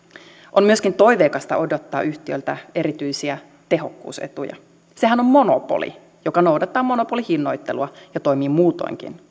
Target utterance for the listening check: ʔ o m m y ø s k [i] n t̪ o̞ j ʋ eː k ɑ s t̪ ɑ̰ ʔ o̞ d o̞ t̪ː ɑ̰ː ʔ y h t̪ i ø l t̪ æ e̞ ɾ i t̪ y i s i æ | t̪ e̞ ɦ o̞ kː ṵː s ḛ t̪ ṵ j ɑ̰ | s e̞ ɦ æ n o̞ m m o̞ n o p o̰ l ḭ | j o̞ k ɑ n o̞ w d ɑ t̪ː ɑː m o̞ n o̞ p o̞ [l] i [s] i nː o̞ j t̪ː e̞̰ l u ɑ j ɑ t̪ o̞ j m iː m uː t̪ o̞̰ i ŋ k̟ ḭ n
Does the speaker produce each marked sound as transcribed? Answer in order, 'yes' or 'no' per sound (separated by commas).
yes, yes, no